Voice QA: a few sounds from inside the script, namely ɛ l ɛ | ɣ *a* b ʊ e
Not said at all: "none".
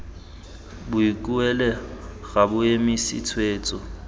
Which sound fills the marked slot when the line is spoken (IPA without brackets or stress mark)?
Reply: a